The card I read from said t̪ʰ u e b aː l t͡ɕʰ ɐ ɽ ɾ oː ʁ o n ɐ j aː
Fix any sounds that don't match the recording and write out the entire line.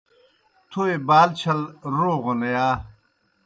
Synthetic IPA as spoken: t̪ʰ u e b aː l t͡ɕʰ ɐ l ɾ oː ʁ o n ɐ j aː